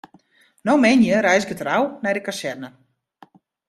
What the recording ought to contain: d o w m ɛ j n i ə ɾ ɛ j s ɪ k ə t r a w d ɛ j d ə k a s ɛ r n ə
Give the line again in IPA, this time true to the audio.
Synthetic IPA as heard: n o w m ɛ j n j ə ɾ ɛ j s ɪ k ə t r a w n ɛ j d ə k a s ɛ r n ə